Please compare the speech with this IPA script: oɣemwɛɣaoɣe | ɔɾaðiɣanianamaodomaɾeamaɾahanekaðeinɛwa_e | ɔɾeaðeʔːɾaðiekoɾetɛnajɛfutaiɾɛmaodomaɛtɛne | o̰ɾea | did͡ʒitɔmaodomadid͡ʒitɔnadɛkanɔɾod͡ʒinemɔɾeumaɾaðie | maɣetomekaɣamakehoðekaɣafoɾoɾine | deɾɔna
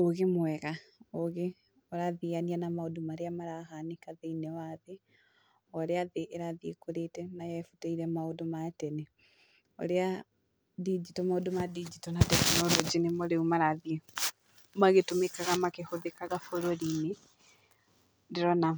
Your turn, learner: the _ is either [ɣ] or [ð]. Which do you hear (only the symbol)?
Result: ð